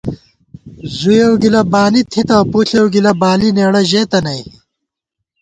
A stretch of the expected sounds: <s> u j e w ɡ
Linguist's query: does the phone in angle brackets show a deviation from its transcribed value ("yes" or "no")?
yes